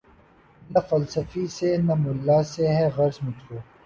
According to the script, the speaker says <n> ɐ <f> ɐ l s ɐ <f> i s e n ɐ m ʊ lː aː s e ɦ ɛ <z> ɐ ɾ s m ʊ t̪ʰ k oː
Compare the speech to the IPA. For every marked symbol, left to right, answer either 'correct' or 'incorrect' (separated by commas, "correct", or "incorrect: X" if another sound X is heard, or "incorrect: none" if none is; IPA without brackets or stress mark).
correct, correct, correct, incorrect: ɣ